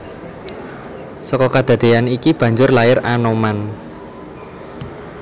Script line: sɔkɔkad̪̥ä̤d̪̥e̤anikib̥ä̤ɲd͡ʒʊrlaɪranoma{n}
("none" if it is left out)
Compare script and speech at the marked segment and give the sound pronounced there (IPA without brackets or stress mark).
n